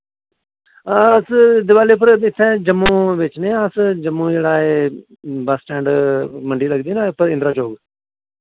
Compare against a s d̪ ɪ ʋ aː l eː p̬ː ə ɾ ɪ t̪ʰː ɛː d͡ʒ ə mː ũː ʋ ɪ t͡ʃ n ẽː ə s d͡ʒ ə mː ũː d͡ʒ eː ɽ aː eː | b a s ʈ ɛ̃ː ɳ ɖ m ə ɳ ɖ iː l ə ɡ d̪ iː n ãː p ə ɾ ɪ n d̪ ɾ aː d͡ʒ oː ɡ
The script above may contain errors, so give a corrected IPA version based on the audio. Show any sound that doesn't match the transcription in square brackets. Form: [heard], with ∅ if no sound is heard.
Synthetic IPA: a s d̪ ɪ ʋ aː l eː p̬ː ə ɾ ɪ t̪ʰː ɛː d͡ʒ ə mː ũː ʋ ɪ t͡ʃ n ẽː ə s d͡ʒ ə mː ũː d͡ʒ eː ɽ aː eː | b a s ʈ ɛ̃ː ɳ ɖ m ə ɳ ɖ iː l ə ɡ d̪ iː n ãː p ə ɾ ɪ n d̪ ɾ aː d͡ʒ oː ɡ